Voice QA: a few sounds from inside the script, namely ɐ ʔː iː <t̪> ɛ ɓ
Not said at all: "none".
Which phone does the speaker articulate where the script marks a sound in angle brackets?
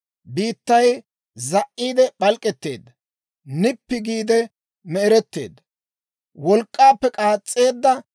d̪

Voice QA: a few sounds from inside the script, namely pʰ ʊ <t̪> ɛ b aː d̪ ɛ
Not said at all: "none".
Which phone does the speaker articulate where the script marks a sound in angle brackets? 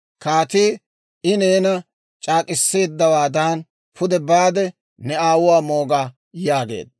d̪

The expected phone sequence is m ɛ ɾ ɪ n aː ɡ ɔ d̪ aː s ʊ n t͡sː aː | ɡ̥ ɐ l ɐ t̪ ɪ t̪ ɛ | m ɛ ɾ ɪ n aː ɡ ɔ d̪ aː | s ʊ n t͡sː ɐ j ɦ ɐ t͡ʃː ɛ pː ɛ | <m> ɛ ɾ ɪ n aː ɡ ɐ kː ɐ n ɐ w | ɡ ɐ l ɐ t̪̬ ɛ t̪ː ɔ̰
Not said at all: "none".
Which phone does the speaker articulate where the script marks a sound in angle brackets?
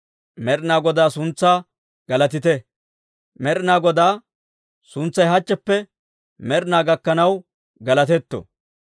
m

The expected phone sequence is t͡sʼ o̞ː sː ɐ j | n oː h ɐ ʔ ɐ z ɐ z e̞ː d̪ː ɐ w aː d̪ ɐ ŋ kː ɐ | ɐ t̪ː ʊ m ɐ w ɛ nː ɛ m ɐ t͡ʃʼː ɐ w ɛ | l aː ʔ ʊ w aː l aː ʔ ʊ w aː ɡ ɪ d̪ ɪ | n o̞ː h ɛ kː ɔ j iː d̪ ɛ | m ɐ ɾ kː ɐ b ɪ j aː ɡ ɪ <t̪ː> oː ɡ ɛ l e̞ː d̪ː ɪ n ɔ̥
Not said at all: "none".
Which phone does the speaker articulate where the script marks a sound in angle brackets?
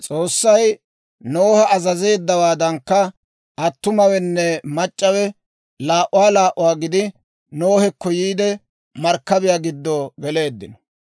d̪ː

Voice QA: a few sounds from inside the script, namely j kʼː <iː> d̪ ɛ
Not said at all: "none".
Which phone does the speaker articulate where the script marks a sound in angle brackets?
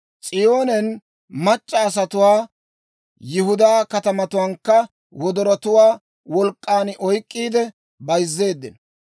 iː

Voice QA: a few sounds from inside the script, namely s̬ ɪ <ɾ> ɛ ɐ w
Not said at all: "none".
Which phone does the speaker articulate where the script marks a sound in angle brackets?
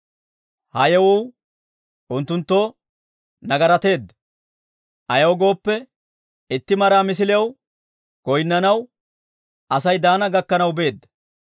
l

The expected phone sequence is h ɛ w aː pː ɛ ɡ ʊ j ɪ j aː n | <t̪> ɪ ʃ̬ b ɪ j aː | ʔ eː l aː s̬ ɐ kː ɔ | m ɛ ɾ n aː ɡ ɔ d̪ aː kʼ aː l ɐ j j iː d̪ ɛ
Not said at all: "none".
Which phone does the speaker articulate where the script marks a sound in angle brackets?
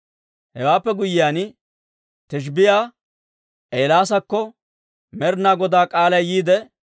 t̪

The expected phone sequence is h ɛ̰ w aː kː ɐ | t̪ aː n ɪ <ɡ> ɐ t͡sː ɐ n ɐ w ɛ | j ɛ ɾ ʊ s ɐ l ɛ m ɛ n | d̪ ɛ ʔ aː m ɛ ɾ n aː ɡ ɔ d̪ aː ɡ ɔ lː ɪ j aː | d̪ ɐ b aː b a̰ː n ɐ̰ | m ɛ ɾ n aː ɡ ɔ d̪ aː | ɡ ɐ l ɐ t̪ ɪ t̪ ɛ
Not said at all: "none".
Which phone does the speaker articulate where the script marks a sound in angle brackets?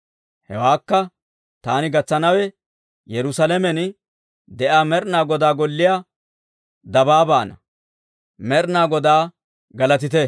ɡ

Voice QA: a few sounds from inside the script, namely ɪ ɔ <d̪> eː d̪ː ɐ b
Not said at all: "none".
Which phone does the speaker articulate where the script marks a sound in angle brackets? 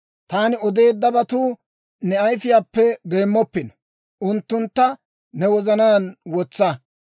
d̪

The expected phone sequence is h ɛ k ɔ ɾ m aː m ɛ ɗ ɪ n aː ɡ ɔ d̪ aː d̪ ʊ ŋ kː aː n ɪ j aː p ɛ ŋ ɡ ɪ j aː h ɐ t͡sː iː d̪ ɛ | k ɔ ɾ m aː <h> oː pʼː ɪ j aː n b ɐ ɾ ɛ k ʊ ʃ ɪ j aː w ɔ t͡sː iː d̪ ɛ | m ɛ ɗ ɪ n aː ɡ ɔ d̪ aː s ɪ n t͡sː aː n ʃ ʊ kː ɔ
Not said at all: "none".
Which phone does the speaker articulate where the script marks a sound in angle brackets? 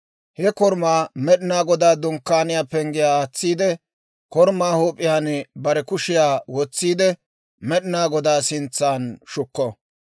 h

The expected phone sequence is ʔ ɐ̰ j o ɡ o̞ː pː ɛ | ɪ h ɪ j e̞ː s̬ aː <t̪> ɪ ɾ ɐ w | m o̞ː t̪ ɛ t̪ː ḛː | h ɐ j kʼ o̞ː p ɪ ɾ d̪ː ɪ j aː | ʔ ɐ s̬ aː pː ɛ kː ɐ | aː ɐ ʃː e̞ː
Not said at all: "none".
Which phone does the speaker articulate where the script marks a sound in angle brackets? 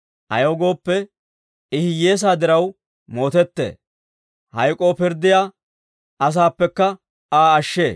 d̪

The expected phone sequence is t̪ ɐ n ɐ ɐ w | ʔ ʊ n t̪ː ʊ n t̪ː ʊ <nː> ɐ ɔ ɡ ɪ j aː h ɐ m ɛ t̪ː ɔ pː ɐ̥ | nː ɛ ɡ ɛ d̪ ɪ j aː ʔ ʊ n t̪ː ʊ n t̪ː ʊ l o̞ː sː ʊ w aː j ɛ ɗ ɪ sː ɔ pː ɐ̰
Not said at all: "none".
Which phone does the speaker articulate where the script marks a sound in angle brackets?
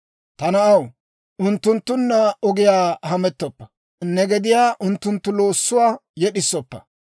nː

